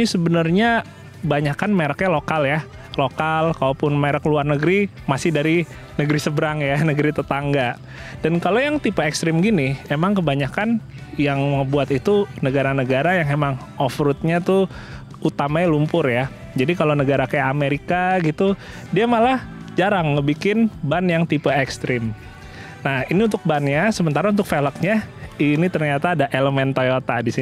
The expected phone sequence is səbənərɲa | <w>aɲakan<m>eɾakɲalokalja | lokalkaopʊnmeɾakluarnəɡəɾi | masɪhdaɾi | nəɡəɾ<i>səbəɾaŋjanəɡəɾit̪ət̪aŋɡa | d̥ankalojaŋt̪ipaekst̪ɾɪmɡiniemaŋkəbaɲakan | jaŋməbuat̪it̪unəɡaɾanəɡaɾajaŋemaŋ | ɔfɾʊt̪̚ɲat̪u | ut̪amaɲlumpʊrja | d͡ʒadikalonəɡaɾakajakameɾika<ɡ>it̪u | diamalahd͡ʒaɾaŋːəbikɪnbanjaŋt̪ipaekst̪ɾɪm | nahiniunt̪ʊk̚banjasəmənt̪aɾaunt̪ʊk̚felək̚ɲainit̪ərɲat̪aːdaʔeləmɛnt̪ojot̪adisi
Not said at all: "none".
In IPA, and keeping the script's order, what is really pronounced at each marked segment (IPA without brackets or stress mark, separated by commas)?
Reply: b, m, i, ɡ